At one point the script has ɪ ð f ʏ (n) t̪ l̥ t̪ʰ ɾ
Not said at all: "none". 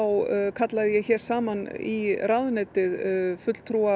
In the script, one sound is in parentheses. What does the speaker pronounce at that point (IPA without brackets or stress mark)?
none